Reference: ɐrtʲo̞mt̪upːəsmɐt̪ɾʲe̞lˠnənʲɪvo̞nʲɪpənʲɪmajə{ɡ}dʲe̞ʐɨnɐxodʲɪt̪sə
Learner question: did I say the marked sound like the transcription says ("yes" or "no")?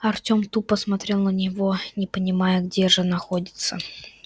yes